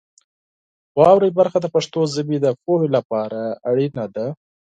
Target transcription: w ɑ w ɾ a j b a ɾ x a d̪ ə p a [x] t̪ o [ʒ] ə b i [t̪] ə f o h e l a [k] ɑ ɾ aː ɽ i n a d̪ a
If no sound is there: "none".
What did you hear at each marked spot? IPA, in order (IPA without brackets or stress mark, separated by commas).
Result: ʂ, z, d̪, p